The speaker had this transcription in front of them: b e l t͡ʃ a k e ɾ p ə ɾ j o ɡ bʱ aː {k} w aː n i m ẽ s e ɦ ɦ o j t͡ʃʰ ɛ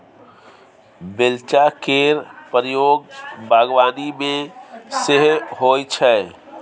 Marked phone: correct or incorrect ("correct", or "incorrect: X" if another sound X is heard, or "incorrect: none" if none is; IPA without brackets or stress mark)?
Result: incorrect: ɡ